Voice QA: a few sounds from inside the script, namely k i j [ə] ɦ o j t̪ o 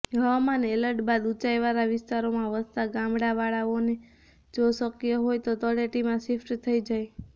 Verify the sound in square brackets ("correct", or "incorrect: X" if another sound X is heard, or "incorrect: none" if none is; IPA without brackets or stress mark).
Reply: correct